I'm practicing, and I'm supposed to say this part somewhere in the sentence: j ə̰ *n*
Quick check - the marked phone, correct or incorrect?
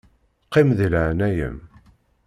incorrect